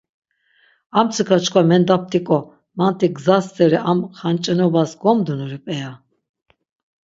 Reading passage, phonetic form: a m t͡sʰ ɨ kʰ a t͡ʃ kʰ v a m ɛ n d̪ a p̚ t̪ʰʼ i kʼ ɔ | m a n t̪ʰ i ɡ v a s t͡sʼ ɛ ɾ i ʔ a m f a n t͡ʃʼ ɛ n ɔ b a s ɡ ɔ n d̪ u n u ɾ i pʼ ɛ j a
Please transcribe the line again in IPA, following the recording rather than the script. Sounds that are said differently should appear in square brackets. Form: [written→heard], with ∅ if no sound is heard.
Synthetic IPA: a m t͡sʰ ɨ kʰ a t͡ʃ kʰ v a m ɛ n d̪ a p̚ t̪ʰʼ i kʼ ɔ | m a n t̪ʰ i ɡ [v→z] a s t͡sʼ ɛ ɾ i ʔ a m [f→χ] a n t͡ʃʼ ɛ n ɔ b a s ɡ ɔ [n→m] d̪ u n u ɾ i pʼ ɛ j a